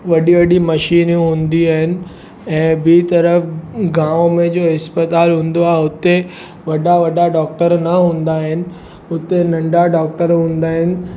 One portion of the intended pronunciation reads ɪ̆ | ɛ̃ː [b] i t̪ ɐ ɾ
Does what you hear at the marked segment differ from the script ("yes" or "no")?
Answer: no